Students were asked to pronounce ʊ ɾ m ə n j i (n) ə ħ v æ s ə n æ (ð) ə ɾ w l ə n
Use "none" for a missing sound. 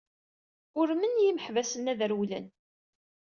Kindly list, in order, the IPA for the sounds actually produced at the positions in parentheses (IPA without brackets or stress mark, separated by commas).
m, ð